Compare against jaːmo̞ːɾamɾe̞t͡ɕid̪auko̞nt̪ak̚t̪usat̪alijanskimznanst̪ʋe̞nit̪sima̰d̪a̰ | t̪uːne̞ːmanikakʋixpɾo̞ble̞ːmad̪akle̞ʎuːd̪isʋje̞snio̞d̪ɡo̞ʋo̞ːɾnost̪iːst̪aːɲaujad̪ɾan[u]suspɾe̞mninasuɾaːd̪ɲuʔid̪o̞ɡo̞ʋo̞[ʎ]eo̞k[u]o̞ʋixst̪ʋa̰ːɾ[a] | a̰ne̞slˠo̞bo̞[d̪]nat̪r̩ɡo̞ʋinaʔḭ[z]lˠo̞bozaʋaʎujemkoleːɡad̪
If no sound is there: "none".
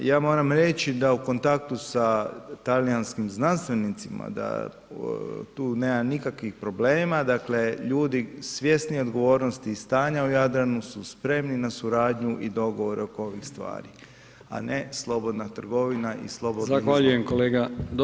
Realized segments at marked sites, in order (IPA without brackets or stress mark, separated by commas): u, ɾ, o, i, d̪, s